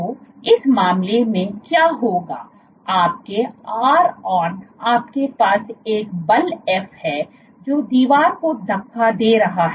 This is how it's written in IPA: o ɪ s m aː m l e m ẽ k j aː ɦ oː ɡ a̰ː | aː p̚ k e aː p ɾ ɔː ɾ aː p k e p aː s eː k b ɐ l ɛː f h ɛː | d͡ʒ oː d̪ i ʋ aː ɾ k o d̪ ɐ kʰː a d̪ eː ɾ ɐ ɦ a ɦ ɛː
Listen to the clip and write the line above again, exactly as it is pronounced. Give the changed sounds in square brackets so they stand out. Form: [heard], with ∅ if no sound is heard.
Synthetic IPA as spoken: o ɪ s m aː m l e m ẽ k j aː ɦ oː ɡ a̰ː | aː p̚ k e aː [∅] ɾ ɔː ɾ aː p k e p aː s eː k b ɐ l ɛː f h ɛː | d͡ʒ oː d̪ [iː] ʋ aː ɾ k o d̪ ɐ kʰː a d̪ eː ɾ ɐ ɦ a ɦ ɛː